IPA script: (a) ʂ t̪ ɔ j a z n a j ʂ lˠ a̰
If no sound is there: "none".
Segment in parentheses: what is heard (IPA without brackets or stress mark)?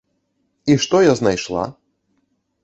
i